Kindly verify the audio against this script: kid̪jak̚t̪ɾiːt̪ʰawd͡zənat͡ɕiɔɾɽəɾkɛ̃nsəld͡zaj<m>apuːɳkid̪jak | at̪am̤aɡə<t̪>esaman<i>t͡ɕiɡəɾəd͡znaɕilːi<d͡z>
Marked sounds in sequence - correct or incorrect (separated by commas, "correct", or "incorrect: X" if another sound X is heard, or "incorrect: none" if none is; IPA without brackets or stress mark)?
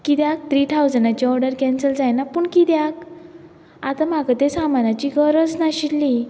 incorrect: n, correct, incorrect: a, incorrect: none